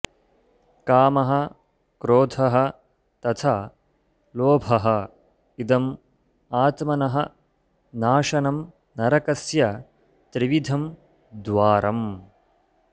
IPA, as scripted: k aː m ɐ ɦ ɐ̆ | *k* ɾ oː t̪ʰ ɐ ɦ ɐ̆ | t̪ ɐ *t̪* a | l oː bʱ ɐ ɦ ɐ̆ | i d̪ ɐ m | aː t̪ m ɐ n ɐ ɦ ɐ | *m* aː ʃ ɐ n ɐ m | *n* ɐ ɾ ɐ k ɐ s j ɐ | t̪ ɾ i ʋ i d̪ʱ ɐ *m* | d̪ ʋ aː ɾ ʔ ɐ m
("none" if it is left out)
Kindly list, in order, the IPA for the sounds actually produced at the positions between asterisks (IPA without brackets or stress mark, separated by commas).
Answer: k, t̪ʰ, n, n, m